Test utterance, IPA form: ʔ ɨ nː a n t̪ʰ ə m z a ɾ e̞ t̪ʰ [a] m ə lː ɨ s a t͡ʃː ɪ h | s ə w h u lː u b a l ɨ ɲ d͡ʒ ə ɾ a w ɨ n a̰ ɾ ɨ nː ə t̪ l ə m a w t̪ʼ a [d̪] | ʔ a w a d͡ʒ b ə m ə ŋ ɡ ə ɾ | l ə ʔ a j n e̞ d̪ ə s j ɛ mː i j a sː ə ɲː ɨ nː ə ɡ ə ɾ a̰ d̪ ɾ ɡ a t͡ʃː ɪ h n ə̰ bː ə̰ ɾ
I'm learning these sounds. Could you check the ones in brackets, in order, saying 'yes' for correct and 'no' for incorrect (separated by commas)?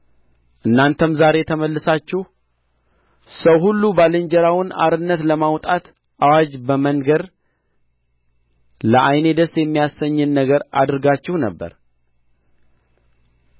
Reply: no, no